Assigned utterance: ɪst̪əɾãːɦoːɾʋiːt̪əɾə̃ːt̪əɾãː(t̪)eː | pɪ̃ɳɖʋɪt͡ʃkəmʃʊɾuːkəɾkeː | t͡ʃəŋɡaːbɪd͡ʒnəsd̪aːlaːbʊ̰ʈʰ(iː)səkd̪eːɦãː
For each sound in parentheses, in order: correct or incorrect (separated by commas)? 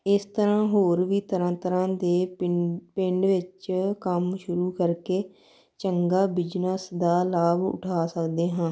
incorrect, incorrect